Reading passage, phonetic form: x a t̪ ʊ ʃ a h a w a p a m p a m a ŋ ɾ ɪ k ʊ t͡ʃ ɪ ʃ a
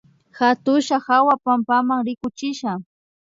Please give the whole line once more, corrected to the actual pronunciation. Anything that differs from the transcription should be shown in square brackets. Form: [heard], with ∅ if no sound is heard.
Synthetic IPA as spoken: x a t̪ ʊ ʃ a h a w a p a m p a m a ŋ ɾ ɪ k ʊ t͡ʃ ɪ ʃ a